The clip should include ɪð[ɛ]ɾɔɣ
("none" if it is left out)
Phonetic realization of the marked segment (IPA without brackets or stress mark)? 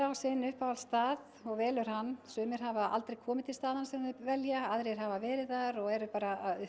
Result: a